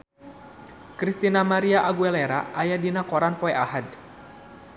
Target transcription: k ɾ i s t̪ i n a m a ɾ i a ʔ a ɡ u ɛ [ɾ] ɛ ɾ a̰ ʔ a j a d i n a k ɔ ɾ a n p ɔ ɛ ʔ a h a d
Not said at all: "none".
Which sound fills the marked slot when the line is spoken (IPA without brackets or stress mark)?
l